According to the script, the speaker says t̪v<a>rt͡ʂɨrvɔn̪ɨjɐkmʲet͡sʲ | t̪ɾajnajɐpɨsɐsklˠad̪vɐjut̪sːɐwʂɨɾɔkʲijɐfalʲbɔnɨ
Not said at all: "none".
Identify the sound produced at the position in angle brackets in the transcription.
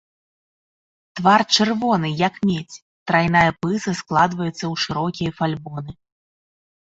a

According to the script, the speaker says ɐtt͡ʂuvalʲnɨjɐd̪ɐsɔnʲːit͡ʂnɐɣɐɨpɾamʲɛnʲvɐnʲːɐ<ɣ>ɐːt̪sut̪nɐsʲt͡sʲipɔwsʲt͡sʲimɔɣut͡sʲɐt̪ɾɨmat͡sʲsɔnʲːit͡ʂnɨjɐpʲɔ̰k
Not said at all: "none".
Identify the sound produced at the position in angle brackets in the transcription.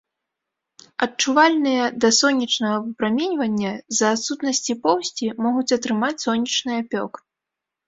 z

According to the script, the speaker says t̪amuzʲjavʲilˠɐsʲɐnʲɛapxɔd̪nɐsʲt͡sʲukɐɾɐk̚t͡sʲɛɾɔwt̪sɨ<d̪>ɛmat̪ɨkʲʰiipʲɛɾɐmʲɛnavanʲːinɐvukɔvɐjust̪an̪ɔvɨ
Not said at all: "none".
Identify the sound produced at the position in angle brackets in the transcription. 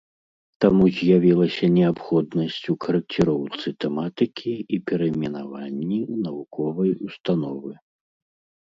t̪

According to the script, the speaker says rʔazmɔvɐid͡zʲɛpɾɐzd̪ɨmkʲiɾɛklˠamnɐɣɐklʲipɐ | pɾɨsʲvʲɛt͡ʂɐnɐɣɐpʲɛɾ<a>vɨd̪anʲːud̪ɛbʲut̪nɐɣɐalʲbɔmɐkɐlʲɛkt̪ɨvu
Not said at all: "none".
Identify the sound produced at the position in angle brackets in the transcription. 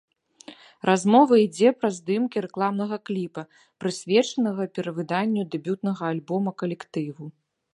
ɐ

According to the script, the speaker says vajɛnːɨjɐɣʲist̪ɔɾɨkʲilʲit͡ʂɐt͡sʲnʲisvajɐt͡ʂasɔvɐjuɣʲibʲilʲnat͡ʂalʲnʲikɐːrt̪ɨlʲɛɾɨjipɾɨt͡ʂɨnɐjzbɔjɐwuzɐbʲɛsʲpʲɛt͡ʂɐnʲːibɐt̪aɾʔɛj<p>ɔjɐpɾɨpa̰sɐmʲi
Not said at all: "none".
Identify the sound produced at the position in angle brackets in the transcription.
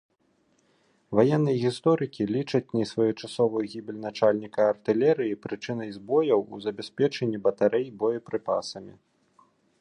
b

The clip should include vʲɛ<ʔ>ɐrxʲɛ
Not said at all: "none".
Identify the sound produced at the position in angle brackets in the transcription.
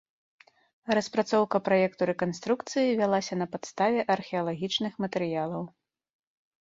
ʔ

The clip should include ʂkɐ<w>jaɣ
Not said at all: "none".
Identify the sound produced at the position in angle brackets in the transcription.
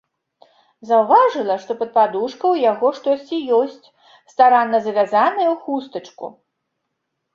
w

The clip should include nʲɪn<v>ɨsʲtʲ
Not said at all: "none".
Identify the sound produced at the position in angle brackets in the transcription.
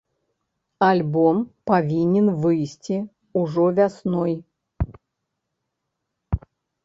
v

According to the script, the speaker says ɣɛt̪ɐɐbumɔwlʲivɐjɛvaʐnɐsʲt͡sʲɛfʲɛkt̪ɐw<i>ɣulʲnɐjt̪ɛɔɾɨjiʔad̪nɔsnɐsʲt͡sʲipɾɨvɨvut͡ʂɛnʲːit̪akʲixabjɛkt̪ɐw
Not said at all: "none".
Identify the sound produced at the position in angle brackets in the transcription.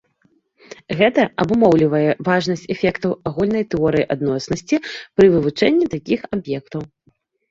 a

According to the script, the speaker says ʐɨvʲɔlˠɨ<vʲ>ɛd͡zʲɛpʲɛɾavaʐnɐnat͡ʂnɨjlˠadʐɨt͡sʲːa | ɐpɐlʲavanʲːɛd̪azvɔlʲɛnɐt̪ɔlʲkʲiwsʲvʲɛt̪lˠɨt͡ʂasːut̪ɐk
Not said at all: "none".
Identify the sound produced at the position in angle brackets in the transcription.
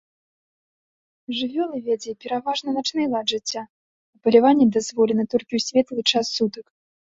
vʲ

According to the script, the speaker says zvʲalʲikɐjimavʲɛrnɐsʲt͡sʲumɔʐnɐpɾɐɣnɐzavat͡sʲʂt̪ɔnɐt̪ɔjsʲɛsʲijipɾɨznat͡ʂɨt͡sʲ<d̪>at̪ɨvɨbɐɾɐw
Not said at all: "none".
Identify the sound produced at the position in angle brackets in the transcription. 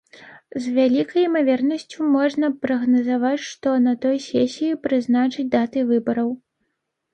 d̪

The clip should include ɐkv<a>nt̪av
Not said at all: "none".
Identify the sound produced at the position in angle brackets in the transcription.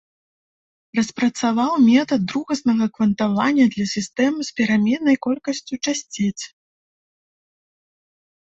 ɐ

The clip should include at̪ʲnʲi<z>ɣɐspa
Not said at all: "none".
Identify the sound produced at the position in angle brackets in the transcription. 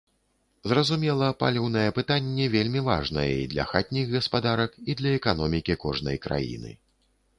ɣ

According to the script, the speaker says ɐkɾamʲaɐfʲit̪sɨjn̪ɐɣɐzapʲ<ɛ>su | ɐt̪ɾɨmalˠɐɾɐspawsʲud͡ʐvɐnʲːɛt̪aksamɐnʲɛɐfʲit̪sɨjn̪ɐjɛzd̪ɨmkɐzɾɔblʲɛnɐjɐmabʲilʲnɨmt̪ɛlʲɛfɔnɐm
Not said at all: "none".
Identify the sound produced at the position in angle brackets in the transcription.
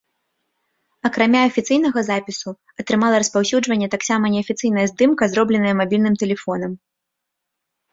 i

